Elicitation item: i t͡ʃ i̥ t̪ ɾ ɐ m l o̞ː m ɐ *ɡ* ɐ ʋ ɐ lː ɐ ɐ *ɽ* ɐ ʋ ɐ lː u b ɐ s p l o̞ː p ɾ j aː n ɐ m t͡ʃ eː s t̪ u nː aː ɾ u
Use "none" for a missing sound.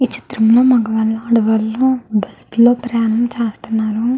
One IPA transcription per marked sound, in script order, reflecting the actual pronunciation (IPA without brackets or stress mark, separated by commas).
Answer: ɡ, ɽ